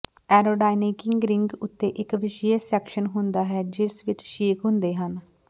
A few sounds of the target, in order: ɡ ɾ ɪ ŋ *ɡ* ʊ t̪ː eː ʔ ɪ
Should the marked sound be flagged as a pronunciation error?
no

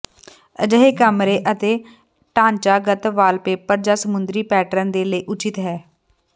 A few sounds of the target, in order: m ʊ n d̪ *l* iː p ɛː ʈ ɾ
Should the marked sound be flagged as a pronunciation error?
yes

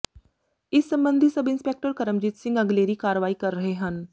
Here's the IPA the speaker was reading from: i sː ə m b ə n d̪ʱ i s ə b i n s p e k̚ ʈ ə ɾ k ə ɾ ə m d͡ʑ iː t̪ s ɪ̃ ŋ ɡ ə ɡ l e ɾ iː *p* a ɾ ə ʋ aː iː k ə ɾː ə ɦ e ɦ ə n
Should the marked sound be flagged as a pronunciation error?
yes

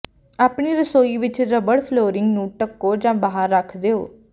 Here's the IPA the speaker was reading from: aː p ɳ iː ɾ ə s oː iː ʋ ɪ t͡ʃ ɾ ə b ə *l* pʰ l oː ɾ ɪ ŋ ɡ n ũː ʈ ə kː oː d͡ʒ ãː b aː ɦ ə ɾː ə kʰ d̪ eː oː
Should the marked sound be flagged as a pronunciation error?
yes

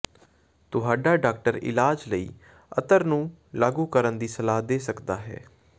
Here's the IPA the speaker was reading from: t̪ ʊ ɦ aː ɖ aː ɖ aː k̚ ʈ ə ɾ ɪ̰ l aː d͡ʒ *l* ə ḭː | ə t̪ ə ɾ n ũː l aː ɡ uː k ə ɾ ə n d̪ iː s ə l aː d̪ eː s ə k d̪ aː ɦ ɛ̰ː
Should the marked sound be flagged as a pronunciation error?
no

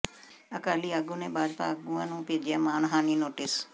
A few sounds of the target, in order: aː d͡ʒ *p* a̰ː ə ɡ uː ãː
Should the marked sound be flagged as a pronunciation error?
no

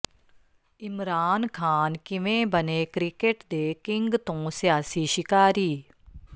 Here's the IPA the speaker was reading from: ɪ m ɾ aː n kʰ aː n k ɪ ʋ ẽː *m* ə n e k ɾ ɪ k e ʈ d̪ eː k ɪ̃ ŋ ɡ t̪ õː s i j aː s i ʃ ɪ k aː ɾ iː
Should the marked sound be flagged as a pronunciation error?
yes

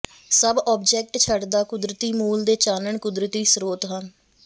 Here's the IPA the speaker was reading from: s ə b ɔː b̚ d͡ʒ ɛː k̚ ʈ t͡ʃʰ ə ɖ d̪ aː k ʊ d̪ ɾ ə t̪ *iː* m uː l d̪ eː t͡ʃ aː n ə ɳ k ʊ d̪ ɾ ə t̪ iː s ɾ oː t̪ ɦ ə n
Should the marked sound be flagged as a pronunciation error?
no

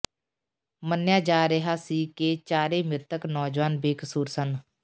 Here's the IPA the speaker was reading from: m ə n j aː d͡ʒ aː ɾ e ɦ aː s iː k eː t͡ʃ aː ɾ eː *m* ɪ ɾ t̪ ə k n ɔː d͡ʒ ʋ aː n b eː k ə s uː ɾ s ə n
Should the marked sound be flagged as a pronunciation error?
no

